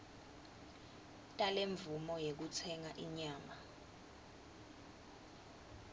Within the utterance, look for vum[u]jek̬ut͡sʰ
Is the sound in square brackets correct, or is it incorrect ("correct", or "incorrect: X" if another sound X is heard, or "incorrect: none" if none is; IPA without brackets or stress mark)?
incorrect: ɔ